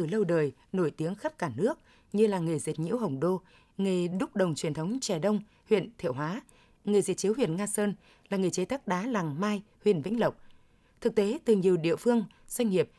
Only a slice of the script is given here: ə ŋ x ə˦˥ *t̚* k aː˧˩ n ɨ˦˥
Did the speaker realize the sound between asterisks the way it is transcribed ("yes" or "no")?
no